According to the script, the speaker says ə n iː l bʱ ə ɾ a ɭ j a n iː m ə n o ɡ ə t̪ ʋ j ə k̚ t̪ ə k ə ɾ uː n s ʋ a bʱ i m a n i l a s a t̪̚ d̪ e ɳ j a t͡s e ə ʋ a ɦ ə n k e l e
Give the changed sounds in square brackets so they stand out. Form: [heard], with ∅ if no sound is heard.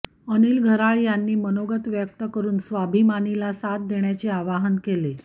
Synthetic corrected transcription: ə n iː l [ɡʱ] ə ɾ a ɭ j a [nː] iː m ə n o ɡ ə t̪ ʋ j ə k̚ t̪ ə k ə ɾ uː n s ʋ a bʱ i m a n i l a s a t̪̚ d̪ e ɳ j a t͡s e [a] ʋ a ɦ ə n k e l e